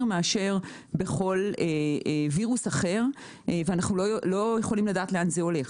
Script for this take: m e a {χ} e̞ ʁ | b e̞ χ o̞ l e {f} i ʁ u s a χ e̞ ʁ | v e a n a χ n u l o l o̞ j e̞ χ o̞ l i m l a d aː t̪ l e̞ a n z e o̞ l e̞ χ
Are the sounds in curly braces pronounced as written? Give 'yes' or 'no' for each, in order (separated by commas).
no, no